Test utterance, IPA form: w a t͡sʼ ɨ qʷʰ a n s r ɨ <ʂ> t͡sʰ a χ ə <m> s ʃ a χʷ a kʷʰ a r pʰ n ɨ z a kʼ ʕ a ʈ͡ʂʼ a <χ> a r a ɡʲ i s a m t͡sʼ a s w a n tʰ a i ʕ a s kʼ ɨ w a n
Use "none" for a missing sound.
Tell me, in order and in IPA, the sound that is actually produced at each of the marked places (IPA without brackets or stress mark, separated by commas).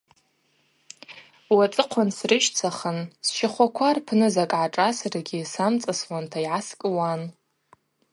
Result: ʃ, n, s